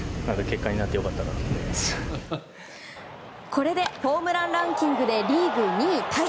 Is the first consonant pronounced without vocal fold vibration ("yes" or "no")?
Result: no